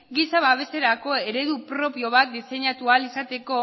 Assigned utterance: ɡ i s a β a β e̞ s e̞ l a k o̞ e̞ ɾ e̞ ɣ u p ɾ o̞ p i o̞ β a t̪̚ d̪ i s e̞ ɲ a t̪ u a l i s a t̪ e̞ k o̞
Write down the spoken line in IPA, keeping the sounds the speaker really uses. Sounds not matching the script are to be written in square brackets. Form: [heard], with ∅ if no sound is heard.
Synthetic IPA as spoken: ɡ i s a β a β e̞ s e̞ [ɾ] a k o̞ e̞ ɾ e̞ [ð] u p ɾ o̞ p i o̞ β a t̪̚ d̪ i s e̞ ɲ a t̪ u a l i s a t̪ e̞ k o̞